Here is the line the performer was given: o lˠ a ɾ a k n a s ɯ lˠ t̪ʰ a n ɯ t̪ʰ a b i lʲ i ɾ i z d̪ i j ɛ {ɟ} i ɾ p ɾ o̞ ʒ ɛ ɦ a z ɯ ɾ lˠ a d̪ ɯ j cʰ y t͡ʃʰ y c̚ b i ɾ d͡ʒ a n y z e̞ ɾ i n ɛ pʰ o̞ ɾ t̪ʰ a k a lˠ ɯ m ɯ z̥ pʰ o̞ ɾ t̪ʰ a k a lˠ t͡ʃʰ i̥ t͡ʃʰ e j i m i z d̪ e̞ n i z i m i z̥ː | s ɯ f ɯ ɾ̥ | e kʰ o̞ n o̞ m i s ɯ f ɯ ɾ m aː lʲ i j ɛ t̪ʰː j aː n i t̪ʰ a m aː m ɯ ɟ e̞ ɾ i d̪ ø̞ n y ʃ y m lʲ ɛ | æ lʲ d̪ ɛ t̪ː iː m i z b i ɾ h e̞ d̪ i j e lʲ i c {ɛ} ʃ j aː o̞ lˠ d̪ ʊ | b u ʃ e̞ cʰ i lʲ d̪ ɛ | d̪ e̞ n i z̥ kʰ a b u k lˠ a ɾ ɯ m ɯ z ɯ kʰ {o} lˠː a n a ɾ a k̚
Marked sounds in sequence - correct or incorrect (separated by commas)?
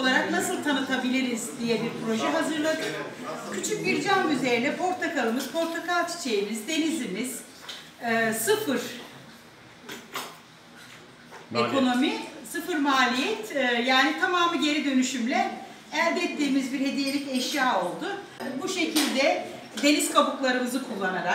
incorrect, correct, incorrect